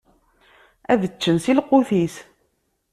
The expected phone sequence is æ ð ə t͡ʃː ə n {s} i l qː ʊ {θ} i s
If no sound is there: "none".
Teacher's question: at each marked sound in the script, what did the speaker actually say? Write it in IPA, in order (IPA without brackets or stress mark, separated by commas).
s, θ